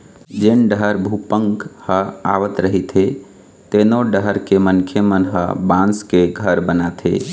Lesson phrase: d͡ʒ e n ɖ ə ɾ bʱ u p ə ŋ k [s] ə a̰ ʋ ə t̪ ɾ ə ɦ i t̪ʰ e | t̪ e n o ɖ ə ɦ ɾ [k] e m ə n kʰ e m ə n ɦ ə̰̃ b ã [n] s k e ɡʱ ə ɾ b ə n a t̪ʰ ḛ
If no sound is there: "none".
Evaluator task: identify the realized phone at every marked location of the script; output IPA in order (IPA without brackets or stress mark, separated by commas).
h, k, n